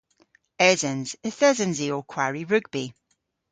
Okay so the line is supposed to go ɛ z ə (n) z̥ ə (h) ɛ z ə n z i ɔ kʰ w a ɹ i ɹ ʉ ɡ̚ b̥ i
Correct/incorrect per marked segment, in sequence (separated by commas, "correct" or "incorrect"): correct, incorrect